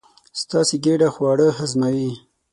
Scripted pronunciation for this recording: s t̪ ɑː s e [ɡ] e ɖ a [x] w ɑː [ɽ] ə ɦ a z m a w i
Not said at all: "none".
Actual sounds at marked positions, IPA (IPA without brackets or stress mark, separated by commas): ɡ, x, ɽ